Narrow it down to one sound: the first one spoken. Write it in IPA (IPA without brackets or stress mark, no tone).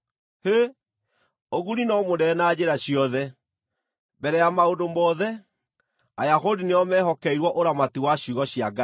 h